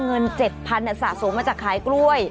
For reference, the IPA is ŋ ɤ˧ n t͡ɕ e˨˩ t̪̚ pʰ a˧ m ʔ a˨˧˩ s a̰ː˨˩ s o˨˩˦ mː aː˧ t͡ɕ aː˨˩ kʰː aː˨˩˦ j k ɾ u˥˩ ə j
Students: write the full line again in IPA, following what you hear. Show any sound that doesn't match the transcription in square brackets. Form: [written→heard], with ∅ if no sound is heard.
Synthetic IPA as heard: ŋ ɤ˧ n t͡ɕ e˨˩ t̪̚ pʰ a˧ [m→n] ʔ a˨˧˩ s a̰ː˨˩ s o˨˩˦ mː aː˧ t͡ɕ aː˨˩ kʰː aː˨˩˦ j k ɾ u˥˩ ə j